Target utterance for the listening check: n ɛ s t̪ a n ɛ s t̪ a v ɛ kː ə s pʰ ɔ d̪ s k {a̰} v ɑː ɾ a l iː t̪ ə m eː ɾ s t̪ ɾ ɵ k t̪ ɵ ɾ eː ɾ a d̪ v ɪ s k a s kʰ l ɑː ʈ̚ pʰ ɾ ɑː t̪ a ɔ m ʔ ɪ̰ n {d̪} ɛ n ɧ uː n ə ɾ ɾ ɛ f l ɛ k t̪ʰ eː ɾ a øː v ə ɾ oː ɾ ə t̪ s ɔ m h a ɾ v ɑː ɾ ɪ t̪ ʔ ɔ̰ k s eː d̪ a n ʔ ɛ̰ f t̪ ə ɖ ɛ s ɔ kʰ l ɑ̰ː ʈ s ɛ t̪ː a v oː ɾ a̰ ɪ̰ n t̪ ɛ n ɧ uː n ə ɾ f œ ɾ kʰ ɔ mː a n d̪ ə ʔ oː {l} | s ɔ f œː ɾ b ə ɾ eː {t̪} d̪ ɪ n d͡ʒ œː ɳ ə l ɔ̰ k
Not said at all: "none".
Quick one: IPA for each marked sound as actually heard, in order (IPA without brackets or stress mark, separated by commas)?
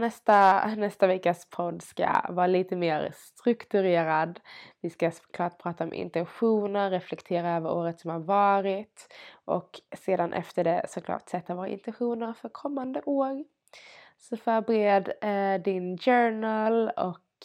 a̰, t̪, ɾ, d̪